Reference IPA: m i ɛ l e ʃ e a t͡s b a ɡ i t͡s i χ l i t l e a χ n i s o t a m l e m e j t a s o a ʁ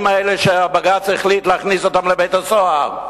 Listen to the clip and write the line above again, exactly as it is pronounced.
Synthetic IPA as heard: m a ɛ l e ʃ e a b a ɡ a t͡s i χ l i t l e a χ n i s o t a m l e b e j t a s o a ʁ